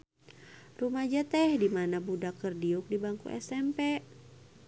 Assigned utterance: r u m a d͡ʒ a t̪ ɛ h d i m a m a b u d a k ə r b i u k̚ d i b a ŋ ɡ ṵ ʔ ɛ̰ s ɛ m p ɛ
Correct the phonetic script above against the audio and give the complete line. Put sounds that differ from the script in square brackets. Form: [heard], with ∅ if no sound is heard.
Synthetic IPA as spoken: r u m a d͡ʒ a t̪ ɛ h d i m a [n] a b u d a k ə r [d] i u k̚ d i b a ŋ [k] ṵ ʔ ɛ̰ s ɛ m p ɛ